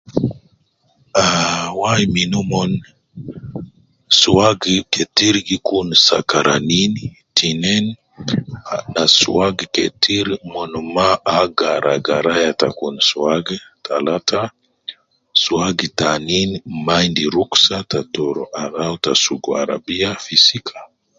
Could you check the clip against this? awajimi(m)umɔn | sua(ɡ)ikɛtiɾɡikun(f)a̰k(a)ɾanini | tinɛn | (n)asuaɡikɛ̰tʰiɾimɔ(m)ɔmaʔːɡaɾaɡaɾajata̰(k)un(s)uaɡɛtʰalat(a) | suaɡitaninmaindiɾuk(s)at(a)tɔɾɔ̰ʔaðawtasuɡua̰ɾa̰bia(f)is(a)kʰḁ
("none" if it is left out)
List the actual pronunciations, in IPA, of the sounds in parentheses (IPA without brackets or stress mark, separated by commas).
n, ɡ, s, a, n, n, k, s, a, s, a, f, i